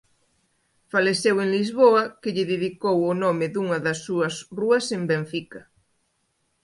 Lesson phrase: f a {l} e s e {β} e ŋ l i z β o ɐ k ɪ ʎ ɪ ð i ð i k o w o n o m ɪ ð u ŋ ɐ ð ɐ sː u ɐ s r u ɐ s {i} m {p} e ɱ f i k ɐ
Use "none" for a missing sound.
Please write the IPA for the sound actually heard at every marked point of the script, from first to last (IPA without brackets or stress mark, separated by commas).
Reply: l, w, e, b